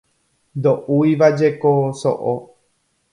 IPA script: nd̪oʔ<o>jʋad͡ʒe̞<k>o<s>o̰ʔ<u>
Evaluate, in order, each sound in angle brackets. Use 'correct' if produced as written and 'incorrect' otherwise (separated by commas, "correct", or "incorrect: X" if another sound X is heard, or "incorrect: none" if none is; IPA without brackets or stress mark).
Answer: incorrect: u, correct, correct, incorrect: o